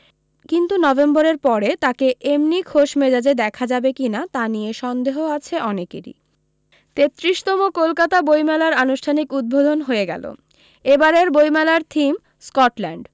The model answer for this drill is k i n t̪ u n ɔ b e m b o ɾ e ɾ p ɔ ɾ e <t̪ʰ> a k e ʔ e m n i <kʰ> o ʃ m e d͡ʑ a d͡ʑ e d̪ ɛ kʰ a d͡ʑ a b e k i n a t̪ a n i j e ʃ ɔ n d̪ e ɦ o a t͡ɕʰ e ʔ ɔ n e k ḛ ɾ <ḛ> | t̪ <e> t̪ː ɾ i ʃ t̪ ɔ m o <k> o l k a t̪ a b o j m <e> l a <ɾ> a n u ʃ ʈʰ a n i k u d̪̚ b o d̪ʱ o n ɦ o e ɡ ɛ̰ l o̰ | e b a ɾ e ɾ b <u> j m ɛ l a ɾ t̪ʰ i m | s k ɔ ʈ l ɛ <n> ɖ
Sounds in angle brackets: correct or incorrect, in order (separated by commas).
incorrect, correct, incorrect, correct, correct, incorrect, correct, incorrect, incorrect